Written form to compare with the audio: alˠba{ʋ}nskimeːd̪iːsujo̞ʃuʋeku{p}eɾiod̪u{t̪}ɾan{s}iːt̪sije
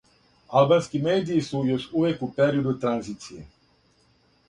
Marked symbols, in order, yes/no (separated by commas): no, yes, yes, no